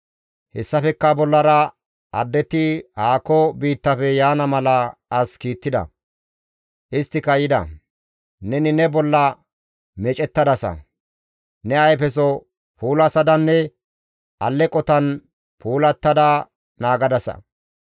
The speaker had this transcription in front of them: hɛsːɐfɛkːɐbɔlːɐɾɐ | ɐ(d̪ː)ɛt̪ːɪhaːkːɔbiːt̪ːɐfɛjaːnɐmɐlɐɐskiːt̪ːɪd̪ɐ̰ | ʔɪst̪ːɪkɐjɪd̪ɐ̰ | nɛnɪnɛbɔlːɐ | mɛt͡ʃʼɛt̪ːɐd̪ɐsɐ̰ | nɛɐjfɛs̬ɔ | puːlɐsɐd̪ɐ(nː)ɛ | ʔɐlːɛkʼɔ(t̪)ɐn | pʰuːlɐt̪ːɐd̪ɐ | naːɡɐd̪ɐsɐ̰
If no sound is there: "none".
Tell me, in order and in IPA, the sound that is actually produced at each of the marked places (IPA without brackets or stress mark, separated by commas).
d̪ː, nː, t̪